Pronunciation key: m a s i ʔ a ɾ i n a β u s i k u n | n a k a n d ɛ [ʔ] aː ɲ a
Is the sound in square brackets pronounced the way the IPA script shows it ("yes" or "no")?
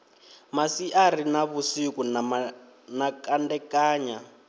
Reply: no